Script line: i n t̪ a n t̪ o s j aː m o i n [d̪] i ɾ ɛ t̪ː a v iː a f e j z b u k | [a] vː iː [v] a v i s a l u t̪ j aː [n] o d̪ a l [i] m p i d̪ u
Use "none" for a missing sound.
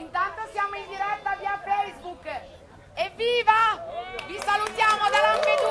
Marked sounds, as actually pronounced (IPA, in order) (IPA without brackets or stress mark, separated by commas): d̪, e, v, m, a